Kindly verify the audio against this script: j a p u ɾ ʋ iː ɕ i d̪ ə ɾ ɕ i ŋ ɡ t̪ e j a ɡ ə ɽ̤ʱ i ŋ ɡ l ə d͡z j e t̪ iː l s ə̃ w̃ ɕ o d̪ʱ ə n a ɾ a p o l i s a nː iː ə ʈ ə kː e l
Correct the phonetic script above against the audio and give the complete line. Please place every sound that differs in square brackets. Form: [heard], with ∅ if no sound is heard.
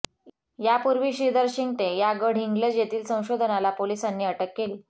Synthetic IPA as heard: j a p u ɾ ʋ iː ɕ i d̪ ə ɾ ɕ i ŋ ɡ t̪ e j a ɡ ə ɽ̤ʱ i ŋ ɡ l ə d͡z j e t̪ iː l s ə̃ w̃ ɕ o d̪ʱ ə n a [l] a p o l i s a nː iː ə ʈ ə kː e l